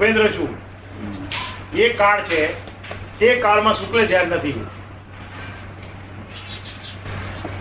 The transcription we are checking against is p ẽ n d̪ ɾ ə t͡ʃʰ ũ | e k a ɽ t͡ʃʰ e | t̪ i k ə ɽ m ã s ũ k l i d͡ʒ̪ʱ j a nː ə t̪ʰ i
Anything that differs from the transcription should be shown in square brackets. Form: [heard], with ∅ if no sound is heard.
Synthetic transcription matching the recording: p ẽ n d̪ ɾ ə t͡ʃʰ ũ | e k a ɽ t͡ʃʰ e | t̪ [e] k [a] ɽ m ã s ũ k l [e] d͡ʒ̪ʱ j a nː ə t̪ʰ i